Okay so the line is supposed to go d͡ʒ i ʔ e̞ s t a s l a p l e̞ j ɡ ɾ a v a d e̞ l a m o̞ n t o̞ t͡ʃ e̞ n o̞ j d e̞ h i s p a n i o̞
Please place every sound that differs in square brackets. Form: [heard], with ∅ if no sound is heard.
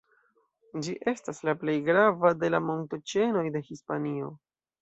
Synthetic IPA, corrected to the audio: d͡ʒ i ʔ e̞ s t a s l a p l e̞ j ɡ ɾ a v a d e̞ l a m o̞ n t o̞ t͡ʃ e̞ n o̞ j d e̞ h i s p a n i o̞